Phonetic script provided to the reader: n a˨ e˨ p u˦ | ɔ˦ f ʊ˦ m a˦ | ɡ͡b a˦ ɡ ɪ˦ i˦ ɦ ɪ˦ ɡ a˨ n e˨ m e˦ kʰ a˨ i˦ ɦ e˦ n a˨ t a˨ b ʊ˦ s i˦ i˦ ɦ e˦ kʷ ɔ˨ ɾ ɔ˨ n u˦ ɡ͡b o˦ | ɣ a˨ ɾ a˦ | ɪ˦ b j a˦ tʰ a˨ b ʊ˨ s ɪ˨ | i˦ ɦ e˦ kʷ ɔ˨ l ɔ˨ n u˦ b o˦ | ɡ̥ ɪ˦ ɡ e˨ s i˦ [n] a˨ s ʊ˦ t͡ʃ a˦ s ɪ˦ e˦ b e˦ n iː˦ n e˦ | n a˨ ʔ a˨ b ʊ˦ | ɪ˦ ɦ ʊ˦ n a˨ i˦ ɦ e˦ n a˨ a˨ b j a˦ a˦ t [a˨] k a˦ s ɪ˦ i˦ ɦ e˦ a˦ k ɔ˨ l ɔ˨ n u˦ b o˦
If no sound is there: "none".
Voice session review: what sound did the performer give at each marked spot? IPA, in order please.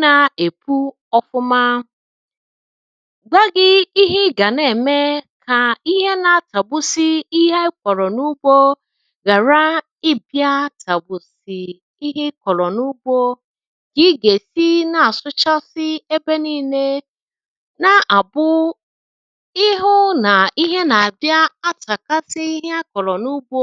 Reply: n, a˨

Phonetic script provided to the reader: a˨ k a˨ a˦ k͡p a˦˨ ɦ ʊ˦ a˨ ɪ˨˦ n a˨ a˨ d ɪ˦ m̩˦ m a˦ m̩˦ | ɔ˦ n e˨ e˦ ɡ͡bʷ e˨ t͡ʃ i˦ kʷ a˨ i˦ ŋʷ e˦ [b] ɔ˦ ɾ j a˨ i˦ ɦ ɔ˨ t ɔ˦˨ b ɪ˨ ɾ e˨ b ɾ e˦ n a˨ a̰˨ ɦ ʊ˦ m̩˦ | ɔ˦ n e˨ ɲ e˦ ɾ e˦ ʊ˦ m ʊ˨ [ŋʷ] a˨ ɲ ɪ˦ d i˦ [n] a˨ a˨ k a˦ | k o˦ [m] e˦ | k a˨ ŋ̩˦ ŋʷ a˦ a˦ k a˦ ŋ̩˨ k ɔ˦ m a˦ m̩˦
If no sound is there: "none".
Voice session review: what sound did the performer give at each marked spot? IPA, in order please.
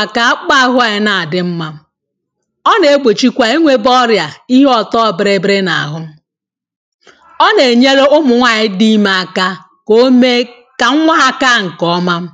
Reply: b, ŋʷ, m, m

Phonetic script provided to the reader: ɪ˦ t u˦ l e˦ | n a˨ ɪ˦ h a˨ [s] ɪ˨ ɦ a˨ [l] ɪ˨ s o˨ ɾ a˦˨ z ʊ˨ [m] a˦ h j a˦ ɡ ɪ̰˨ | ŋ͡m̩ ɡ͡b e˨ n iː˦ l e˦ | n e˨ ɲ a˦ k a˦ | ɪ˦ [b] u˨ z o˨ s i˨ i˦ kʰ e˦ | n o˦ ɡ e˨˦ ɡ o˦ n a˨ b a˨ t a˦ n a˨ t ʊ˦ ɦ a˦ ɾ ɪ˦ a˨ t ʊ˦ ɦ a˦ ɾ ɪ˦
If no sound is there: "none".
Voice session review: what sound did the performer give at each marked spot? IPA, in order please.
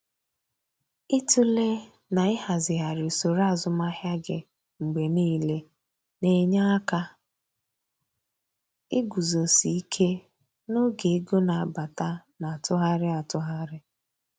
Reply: z, ɾ, m, ɡ

